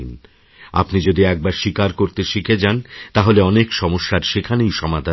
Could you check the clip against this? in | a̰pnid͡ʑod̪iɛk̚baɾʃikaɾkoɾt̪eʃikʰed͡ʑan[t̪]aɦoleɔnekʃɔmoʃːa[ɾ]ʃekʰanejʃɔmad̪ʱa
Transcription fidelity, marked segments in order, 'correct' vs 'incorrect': correct, correct

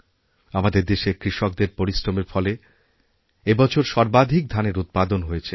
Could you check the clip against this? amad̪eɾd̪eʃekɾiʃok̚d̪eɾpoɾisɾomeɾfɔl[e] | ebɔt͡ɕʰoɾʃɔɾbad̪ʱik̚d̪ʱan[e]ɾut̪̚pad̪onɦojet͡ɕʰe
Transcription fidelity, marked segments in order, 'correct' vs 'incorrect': correct, correct

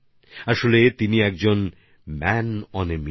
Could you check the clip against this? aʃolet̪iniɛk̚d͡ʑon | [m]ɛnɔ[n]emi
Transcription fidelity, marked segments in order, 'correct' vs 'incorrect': correct, correct

